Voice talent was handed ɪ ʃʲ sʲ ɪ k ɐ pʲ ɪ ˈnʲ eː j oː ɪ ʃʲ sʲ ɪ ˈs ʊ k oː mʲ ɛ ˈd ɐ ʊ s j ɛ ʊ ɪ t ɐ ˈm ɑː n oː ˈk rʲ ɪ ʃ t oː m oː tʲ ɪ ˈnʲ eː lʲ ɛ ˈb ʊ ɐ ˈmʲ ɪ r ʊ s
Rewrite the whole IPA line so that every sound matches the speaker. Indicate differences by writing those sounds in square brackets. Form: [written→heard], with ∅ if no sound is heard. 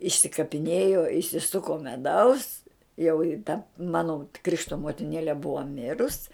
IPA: ɪ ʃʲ sʲ ɪ k ɐ pʲ ɪ ˈnʲ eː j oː ɪ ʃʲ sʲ ɪ ˈs ʊ k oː mʲ ɛ ˈd ɐ ʊ s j ɛ ʊ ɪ t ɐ ˈm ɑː n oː ˈk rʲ ɪ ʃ t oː m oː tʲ ɪ ˈnʲ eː lʲ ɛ ˈb ʊ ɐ ˈmʲ ɪ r ʊ s